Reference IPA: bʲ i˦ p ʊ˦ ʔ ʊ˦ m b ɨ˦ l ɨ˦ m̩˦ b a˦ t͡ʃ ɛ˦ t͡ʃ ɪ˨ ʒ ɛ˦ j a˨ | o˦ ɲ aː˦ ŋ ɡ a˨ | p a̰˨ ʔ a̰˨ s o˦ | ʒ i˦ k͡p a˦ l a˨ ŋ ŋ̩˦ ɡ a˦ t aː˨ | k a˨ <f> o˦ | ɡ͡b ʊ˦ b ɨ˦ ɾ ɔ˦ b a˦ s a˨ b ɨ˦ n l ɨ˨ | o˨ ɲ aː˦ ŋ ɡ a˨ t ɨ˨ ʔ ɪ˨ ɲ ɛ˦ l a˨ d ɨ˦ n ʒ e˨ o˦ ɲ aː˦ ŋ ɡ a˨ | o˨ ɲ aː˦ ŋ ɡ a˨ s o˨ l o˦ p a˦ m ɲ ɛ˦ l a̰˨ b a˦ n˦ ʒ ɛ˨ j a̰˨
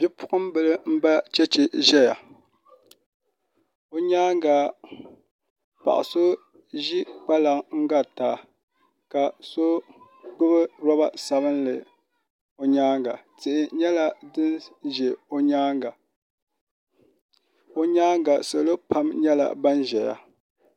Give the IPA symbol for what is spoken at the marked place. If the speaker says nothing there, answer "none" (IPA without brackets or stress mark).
s